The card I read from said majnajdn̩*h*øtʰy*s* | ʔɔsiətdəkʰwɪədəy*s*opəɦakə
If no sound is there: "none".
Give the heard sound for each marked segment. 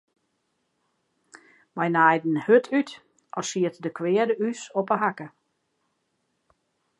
h, t, s

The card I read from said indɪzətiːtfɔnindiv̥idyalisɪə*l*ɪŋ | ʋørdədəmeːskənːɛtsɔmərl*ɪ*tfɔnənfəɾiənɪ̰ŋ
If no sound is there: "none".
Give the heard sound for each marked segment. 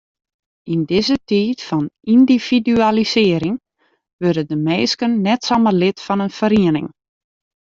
ɾ, ɪ

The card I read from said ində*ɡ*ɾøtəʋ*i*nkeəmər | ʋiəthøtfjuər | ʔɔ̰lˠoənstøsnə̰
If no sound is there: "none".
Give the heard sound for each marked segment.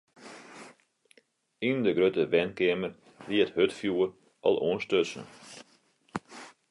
ɡ, ɛ

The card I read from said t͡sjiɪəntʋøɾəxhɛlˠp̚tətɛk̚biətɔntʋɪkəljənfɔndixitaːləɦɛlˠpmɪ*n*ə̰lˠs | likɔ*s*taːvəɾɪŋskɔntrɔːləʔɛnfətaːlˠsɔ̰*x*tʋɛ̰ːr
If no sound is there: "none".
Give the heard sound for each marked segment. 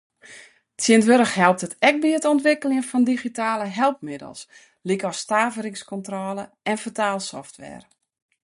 d, s, f

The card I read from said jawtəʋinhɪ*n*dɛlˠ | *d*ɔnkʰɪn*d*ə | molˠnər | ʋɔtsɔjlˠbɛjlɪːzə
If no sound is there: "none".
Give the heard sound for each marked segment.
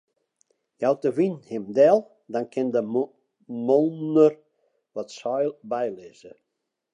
m, d, d

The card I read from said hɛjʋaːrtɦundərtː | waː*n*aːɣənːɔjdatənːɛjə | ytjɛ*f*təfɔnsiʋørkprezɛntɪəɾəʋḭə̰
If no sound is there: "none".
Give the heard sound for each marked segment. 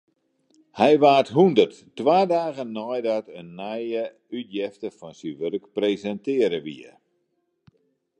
d, f

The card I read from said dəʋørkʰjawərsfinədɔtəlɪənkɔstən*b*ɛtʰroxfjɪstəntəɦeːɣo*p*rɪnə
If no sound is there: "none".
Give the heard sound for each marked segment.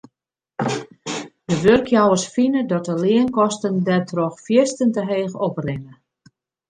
d, p

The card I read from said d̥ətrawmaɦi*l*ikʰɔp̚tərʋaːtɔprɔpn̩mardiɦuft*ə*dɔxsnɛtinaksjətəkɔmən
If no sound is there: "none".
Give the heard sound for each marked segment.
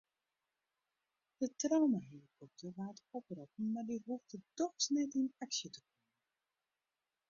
l, ə

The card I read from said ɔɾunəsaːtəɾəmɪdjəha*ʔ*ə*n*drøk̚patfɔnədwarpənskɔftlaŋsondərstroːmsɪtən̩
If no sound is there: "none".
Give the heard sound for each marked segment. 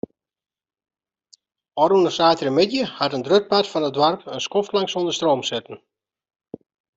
t, n

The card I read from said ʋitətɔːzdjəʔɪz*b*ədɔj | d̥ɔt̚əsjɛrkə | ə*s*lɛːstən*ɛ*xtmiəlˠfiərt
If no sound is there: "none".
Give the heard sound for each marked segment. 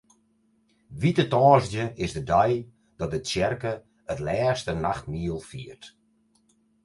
d, t, a

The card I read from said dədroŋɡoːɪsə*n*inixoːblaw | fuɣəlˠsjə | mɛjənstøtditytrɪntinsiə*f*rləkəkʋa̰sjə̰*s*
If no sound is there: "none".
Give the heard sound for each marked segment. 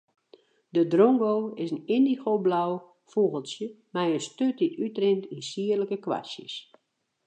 n, none, s

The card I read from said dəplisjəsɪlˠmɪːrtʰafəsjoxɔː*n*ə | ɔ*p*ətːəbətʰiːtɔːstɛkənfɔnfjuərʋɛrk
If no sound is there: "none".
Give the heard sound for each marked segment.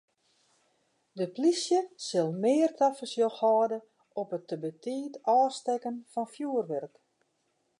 d, p

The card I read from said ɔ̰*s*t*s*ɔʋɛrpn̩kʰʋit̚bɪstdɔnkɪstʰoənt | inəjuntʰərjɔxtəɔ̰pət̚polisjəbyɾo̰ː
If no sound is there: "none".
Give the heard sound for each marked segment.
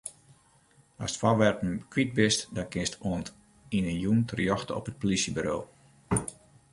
s, f

